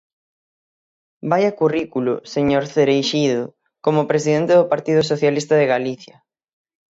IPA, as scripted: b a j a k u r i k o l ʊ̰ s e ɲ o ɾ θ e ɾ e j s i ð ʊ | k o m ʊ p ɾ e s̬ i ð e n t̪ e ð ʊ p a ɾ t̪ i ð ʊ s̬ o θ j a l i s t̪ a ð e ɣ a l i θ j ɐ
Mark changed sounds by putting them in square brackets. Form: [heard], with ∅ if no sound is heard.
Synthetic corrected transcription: b a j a k u r i k [u] l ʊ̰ s e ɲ o ɾ θ e ɾ e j [ʃ] i ð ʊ | k o m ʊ p ɾ e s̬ i ð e n t̪ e ð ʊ p a ɾ t̪ i ð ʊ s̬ o θ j a l i s t̪ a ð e ɣ a l i θ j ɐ